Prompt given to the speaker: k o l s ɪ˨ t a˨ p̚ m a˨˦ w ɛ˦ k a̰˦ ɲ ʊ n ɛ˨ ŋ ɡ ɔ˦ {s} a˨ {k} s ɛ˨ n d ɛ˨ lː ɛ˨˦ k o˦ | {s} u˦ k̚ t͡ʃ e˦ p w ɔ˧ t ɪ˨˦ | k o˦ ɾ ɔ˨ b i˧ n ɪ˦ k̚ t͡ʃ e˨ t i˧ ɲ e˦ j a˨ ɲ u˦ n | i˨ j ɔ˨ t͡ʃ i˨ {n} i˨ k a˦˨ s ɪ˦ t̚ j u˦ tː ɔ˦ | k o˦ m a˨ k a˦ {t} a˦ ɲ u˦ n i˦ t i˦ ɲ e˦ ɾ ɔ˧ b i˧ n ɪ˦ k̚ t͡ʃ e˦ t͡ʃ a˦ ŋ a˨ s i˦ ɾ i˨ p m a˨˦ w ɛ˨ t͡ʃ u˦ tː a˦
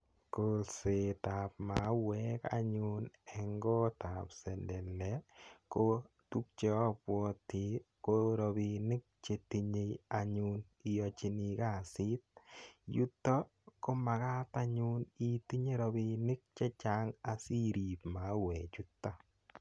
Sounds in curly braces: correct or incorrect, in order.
incorrect: t, incorrect: p, incorrect: t, correct, correct

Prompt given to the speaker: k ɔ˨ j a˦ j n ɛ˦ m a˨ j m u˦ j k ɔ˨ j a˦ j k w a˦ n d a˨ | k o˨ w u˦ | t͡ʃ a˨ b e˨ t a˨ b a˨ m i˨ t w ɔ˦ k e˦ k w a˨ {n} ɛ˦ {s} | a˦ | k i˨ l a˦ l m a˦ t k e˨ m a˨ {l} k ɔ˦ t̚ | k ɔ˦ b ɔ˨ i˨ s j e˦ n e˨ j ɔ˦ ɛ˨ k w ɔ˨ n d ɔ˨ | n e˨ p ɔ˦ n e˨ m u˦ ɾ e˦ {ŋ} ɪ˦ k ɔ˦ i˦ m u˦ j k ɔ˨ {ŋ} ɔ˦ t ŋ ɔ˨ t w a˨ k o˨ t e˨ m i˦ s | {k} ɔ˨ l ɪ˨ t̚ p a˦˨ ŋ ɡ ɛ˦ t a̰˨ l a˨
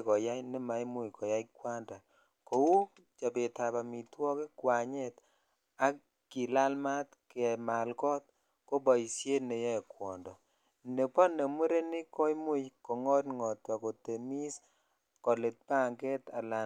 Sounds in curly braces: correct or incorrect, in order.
incorrect: ɲ, incorrect: t, correct, incorrect: n, correct, correct

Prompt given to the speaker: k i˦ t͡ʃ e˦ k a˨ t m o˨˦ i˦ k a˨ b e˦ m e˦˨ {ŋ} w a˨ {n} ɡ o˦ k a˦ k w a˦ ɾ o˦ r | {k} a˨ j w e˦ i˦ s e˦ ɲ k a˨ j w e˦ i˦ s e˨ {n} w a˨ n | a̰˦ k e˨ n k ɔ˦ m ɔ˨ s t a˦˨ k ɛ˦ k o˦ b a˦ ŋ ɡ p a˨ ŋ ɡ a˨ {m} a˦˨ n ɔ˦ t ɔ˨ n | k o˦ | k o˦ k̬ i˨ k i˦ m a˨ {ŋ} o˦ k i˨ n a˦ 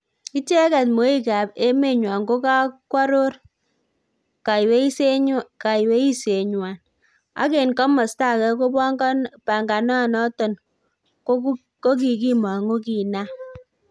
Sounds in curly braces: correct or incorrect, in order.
incorrect: ɲ, incorrect: ŋ, correct, incorrect: ɲ, incorrect: n, correct

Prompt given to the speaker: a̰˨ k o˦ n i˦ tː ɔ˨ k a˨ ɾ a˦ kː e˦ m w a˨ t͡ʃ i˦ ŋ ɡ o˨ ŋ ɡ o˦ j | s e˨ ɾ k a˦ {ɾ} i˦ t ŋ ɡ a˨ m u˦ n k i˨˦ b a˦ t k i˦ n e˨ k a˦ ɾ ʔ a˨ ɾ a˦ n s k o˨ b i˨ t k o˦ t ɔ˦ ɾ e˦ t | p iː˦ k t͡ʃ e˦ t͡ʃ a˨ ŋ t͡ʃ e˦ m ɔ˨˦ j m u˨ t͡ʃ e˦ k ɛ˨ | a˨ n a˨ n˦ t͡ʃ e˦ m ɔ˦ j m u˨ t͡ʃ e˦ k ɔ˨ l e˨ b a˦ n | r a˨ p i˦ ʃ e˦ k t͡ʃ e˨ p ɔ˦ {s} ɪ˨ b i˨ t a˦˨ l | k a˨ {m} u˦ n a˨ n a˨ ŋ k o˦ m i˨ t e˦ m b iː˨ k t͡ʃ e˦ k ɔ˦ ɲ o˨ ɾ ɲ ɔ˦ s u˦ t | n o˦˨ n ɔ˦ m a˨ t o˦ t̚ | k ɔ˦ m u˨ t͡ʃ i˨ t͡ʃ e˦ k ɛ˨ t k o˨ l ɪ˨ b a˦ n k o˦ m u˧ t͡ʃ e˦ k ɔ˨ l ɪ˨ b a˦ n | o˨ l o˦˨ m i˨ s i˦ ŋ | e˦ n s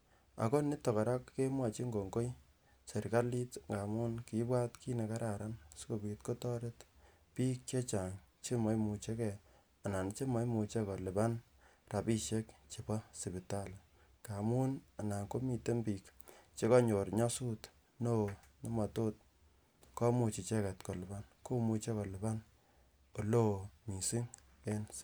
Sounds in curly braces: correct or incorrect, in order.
incorrect: l, correct, correct

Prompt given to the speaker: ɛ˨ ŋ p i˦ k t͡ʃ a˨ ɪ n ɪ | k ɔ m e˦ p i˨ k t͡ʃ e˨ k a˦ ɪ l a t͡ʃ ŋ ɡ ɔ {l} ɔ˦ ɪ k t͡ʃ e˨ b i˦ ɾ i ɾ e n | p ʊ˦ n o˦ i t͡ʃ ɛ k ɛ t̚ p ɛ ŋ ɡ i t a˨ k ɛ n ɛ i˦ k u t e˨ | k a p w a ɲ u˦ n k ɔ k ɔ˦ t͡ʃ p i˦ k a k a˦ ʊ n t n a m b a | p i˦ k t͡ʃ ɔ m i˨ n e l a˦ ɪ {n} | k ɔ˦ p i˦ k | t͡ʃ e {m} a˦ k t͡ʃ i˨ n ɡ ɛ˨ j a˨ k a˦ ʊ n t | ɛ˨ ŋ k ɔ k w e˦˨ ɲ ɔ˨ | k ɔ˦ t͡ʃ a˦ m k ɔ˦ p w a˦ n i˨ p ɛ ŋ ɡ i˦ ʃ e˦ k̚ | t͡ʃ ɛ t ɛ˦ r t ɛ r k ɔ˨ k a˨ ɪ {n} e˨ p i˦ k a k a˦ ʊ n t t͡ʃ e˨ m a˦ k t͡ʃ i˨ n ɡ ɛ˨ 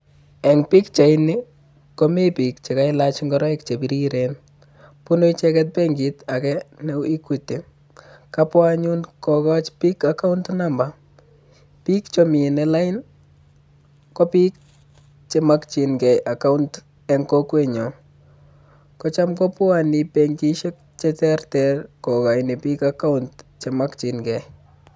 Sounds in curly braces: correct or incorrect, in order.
incorrect: ɾ, correct, correct, correct

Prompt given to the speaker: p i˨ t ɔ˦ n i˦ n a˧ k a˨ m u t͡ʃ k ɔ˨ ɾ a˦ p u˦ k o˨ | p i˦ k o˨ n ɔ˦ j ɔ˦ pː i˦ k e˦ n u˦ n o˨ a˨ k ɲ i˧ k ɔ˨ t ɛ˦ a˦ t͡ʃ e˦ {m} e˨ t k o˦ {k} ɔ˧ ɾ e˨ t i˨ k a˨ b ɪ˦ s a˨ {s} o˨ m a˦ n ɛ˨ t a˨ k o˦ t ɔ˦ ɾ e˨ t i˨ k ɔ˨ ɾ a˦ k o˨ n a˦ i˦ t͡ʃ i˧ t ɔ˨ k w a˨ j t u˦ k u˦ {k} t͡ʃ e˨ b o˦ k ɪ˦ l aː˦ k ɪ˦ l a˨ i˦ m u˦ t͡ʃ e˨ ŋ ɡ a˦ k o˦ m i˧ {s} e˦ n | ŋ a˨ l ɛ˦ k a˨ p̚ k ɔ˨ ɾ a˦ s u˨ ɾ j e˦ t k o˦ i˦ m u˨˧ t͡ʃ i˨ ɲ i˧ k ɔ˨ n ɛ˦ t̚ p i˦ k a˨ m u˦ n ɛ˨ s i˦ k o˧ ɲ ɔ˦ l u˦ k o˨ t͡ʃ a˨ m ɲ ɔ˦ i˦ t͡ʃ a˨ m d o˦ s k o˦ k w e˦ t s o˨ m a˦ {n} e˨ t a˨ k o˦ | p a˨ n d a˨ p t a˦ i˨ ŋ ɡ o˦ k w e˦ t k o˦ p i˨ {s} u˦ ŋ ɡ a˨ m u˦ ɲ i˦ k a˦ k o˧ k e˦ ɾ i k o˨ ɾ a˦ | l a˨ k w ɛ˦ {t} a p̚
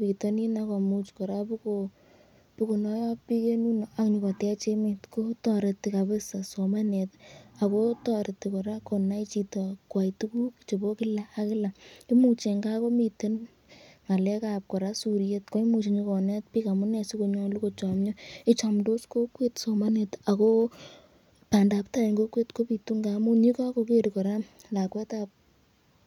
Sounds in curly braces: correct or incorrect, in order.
correct, incorrect: t, correct, correct, incorrect: t, correct, incorrect: t, correct

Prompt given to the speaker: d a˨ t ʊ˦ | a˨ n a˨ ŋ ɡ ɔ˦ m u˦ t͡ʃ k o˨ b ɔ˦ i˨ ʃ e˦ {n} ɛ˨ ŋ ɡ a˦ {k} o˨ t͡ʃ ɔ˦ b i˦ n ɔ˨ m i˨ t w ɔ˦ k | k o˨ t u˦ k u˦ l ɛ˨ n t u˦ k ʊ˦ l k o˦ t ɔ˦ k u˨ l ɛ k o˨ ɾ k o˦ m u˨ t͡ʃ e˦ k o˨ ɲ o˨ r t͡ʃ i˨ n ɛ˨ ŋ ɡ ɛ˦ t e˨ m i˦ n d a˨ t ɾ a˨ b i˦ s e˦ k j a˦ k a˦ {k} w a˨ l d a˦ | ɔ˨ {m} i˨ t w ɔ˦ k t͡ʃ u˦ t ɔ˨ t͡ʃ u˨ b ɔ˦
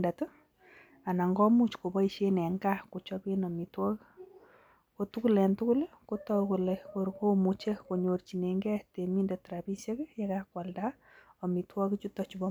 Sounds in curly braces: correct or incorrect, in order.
correct, correct, correct, correct

